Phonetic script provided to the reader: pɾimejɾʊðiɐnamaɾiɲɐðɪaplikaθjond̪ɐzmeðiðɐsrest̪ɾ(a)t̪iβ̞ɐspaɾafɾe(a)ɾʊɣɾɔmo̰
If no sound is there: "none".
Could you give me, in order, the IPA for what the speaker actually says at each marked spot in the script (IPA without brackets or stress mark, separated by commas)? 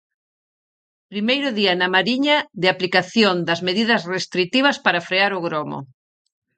i, a